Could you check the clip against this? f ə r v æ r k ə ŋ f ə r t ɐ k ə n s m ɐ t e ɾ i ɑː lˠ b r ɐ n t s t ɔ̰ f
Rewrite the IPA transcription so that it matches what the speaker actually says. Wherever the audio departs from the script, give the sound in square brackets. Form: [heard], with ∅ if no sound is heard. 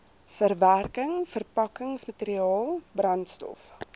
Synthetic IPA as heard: f ə r v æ r k ə ŋ f ə r [p] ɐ k ə [ŋ] s m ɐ t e ɾ i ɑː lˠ b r ɐ n t s t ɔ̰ f